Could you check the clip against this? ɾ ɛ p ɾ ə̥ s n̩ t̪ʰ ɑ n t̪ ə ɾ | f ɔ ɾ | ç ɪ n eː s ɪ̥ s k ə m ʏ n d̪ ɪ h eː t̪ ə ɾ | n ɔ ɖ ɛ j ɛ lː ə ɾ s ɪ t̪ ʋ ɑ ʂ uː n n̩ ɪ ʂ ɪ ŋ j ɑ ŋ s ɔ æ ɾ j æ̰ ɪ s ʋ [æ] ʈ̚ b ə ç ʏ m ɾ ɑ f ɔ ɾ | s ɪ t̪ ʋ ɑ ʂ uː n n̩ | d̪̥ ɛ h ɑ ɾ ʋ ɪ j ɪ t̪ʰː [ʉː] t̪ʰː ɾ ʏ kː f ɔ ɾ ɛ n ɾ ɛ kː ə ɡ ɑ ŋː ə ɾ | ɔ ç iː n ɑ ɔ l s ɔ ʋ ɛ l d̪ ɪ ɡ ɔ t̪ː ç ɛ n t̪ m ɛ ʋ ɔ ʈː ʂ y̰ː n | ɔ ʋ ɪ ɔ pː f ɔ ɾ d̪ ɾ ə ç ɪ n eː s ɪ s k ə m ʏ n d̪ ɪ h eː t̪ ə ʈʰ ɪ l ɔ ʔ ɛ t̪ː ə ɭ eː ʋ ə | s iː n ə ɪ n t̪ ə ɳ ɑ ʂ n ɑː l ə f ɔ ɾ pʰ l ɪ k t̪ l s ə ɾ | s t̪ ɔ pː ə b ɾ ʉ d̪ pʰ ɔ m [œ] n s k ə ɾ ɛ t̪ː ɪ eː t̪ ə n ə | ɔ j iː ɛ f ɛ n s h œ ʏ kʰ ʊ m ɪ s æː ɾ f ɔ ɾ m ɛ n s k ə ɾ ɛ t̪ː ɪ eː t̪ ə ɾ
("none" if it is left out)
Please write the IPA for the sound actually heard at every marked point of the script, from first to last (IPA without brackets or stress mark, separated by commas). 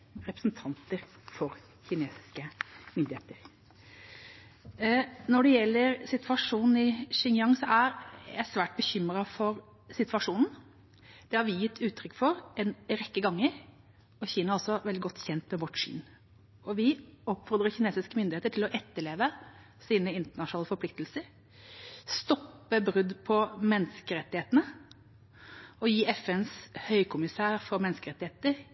æː, ʉː, ɛ